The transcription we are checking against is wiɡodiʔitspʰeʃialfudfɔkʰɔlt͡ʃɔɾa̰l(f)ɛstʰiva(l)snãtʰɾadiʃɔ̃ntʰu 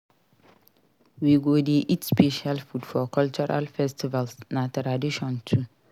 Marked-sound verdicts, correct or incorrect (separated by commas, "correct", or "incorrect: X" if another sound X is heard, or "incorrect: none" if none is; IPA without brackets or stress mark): correct, correct